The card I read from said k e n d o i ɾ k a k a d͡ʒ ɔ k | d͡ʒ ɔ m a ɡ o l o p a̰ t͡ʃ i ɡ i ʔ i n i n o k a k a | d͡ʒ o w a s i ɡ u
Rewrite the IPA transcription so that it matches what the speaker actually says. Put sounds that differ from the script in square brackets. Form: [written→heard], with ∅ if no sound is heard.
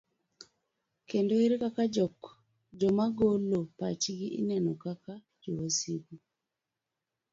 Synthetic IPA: k e n d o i ɾ k a k a d͡ʒ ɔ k | d͡ʒ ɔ m a ɡ o l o p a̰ t͡ʃ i ɡ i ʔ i n [i→ɛ] n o k a k a | d͡ʒ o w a s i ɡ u